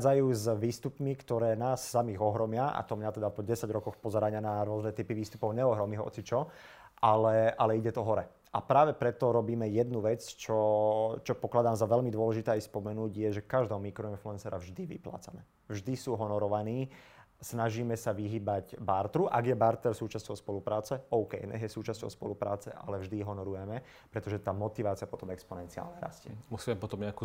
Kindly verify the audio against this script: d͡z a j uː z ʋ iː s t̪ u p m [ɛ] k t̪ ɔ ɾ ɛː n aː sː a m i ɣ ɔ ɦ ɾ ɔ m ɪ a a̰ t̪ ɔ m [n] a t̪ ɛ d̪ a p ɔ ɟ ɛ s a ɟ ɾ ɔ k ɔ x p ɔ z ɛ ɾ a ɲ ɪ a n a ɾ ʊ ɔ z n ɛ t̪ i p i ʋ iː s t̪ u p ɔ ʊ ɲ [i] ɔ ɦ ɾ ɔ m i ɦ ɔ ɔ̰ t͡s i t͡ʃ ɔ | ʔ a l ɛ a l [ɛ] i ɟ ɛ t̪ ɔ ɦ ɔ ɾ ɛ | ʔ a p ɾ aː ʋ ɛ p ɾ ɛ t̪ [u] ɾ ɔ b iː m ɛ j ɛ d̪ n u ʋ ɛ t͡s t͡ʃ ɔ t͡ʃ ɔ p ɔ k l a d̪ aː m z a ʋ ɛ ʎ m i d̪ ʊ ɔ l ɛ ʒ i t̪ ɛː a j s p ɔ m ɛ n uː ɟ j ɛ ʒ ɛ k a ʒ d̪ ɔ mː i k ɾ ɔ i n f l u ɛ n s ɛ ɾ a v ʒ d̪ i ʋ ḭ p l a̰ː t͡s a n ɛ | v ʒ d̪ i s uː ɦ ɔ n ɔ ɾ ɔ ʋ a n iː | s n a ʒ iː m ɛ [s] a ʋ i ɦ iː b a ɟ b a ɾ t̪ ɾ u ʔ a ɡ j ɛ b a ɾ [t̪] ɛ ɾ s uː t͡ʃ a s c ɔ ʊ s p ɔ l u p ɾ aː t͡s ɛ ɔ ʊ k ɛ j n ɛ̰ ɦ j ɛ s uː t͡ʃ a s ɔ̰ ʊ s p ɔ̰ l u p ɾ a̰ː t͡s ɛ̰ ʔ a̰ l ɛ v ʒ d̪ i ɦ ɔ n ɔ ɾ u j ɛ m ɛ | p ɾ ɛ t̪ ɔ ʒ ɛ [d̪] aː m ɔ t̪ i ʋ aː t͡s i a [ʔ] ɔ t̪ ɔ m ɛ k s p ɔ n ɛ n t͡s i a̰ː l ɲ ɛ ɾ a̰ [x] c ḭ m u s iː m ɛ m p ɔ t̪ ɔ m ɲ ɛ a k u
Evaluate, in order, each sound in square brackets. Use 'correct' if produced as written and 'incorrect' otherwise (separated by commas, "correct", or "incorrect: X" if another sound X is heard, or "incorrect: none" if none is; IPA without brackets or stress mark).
incorrect: i, incorrect: ɲ, incorrect: ɛ, correct, incorrect: ɔ, correct, correct, incorrect: t̪, incorrect: p, incorrect: s